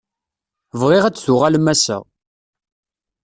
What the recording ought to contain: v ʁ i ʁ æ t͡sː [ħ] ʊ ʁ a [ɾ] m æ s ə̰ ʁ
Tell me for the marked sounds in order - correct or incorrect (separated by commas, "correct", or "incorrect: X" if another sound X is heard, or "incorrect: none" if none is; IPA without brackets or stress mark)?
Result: incorrect: θ, incorrect: l